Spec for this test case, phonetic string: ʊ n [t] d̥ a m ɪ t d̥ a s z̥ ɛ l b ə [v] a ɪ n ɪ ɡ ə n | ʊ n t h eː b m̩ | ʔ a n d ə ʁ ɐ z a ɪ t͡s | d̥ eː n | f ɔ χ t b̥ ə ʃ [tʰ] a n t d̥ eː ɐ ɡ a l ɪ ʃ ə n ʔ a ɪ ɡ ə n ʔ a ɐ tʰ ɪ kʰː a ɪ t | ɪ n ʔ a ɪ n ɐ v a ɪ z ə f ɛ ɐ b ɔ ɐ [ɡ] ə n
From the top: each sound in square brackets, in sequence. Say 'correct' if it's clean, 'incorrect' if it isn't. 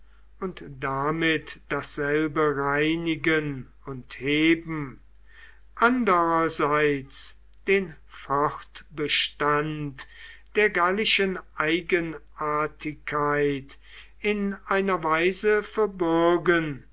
correct, incorrect: ʁ, incorrect: t, correct

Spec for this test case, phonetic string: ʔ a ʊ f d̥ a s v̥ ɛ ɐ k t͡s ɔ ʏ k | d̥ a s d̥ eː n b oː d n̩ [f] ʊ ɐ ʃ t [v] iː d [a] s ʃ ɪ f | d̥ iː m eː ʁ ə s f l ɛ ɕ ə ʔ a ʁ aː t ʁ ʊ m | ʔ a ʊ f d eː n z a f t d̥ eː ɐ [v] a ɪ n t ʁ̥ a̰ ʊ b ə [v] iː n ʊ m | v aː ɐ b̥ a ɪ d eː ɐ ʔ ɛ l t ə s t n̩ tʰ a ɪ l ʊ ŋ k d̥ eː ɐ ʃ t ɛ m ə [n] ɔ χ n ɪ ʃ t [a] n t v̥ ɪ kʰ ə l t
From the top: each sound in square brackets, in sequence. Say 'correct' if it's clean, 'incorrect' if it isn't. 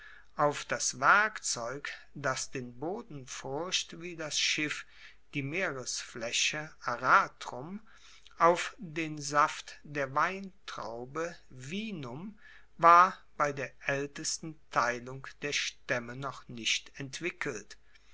correct, correct, correct, correct, correct, correct, incorrect: ɛ

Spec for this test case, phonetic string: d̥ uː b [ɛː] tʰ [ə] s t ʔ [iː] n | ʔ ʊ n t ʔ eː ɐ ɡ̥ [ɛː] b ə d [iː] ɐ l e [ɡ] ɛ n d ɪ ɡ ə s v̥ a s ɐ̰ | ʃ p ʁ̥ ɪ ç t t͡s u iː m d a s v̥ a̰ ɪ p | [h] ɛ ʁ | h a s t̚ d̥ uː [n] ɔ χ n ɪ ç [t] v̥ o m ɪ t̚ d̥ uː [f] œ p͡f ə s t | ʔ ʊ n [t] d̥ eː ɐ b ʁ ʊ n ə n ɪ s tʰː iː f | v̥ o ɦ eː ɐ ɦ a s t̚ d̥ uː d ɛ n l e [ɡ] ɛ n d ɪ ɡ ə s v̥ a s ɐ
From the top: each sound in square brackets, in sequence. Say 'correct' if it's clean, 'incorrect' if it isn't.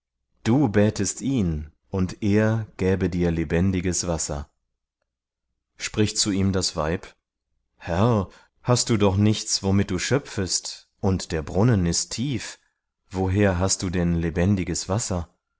correct, correct, correct, correct, correct, incorrect: b, correct, incorrect: d, incorrect: t͡s, incorrect: ʃ, correct, incorrect: b

